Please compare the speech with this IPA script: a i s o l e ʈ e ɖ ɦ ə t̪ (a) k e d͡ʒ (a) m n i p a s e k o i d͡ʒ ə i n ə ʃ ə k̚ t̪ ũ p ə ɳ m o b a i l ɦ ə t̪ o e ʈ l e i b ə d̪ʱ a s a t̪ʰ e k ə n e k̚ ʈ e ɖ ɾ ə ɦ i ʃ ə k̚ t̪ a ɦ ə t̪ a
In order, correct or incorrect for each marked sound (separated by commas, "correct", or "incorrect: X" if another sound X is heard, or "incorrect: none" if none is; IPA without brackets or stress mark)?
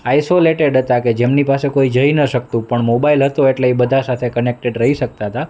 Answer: correct, incorrect: e